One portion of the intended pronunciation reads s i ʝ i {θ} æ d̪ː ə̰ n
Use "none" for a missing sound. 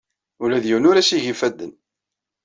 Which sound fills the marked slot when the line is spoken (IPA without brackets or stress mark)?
f